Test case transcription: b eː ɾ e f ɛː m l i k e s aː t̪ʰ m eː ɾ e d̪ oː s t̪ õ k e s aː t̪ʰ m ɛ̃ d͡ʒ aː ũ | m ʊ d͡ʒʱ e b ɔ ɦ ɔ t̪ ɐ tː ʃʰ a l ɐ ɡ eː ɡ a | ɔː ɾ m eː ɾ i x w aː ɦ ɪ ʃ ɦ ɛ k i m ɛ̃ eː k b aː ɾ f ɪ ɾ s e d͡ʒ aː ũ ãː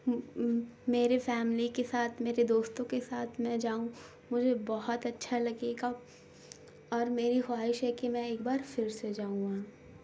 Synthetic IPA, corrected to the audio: m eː ɾ e f ɛː m l i k e s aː t̪ʰ m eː ɾ e d̪ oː s t̪ õ k e s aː t̪ʰ m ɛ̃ d͡ʒ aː ũ | m ʊ d͡ʒʱ e b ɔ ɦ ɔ t̪ ɐ tː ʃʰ a l ɐ ɡ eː ɡ a | ɔː ɾ m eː ɾ i x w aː ɦ ɪ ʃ ɦ ɛ k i m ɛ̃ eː k b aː ɾ f ɪ ɾ s e d͡ʒ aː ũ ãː